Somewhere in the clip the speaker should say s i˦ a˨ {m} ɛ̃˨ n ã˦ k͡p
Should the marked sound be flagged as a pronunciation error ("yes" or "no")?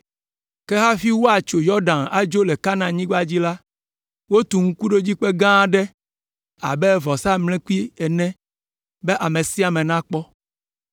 no